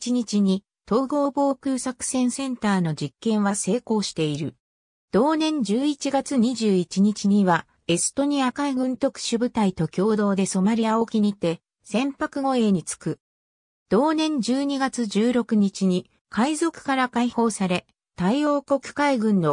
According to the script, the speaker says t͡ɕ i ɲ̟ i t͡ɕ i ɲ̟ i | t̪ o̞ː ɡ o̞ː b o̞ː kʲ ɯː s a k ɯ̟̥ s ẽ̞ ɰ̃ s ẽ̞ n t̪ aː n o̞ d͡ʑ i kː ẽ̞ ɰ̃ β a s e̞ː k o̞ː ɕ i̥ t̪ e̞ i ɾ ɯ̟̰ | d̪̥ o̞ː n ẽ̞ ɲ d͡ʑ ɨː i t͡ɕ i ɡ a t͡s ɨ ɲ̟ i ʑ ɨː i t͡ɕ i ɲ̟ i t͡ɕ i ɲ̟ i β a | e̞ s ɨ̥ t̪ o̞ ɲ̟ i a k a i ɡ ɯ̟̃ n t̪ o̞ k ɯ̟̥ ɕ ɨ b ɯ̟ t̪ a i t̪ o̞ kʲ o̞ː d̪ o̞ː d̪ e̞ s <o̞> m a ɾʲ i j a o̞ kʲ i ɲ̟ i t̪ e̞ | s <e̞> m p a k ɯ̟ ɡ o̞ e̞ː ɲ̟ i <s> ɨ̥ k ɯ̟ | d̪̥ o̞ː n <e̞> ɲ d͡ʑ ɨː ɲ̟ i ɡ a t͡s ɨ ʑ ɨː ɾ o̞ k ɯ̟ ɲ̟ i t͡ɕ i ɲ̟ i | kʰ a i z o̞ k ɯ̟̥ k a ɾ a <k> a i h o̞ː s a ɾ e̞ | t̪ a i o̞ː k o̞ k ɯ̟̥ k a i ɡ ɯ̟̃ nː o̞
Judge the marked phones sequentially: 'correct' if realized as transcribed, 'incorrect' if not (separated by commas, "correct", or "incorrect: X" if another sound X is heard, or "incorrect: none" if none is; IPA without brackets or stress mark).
correct, incorrect: ẽ̞, incorrect: t͡s, incorrect: ẽ̞, correct